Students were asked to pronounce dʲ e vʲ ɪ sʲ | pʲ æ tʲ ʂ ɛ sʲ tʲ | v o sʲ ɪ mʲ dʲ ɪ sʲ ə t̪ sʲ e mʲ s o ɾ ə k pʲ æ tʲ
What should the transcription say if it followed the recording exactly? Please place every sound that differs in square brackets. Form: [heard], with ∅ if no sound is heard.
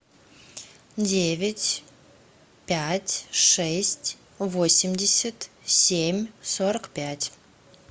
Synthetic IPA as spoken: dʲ e vʲ ɪ [tʲ] | pʲ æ tʲ ʂ ɛ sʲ tʲ | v o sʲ ɪ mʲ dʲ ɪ sʲ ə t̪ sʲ e mʲ s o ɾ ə k pʲ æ tʲ